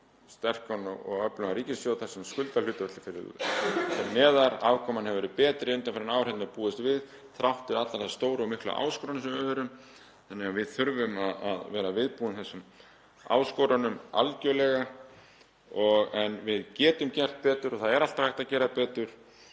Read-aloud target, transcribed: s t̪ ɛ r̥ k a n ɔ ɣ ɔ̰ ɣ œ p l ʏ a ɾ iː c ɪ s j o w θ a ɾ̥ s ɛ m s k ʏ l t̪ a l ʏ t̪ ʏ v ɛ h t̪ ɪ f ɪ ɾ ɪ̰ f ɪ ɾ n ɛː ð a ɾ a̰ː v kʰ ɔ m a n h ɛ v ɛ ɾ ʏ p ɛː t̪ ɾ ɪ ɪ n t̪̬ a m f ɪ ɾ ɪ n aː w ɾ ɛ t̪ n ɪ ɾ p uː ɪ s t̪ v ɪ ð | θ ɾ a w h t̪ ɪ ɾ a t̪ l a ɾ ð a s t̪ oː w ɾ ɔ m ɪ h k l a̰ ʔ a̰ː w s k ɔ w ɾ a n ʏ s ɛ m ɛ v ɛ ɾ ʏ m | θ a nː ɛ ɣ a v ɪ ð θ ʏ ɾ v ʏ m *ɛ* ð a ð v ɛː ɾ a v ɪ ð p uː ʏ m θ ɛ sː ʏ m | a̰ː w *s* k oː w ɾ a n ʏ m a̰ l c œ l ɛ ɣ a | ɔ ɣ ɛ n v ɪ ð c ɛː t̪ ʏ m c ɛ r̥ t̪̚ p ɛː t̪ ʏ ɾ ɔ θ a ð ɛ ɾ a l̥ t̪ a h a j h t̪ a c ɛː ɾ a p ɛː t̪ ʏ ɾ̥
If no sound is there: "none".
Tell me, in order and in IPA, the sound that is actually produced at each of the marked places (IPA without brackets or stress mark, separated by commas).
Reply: a, s